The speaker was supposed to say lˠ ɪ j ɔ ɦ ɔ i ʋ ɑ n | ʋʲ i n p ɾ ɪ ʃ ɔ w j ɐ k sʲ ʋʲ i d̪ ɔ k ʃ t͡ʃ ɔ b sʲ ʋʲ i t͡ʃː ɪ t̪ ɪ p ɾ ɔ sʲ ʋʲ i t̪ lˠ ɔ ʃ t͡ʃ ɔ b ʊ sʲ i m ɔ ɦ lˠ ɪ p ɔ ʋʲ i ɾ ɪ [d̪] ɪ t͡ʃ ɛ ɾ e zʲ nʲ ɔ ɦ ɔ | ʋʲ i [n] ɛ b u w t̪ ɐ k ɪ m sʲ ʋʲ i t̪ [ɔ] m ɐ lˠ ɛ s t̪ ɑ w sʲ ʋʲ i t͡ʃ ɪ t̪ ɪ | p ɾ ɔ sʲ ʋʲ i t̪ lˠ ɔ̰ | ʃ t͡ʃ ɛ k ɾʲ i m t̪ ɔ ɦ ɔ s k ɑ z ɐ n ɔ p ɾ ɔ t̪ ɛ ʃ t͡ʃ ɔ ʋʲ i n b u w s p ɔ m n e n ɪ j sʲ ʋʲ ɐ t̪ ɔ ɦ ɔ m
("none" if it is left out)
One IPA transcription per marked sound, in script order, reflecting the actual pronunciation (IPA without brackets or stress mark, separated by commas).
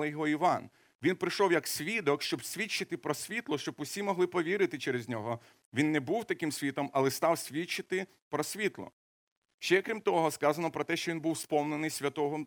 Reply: t̪, nː, ɔ